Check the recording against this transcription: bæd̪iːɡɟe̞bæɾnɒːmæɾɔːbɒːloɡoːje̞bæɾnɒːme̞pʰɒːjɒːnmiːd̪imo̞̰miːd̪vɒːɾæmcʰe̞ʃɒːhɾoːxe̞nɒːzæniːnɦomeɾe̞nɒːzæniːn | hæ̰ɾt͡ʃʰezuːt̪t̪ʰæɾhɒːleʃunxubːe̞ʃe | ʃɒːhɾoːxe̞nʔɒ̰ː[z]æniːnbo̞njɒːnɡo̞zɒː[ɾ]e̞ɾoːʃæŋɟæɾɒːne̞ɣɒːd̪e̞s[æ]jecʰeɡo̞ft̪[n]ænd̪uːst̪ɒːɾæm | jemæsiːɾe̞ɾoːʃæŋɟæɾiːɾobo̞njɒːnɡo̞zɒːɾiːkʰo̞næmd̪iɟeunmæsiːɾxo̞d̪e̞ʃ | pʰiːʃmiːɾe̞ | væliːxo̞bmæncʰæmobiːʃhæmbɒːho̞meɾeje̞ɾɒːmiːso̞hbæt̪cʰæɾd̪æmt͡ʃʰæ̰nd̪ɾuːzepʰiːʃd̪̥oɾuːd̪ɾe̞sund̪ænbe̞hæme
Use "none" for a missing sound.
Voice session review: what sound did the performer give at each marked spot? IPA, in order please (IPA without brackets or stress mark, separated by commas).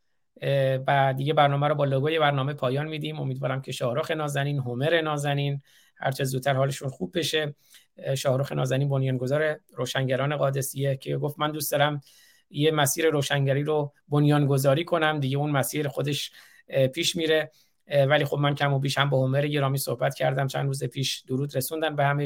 z, ɾ, i, m